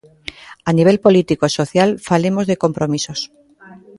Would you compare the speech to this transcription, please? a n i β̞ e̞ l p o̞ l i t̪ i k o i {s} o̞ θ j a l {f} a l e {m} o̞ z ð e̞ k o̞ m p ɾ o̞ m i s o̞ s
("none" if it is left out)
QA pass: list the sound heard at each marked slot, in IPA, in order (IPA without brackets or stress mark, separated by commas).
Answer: s, f, m